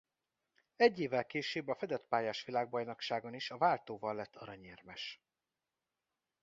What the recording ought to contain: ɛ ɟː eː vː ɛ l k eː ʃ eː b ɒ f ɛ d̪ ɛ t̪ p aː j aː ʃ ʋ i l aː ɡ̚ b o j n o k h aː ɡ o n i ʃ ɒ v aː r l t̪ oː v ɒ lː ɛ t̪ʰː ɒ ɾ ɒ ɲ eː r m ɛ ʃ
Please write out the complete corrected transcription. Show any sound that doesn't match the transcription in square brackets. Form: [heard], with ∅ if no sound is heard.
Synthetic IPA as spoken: ɛ ɟː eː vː ɛ l k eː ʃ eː b ɒ f ɛ d̪ ɛ t̪ p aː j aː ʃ ʋ i l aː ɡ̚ b [ɒ] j n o k [ʃ] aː ɡ o n i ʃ ɒ v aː [∅] l t̪ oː v ɒ lː ɛ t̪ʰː ɒ ɾ ɒ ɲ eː r m ɛ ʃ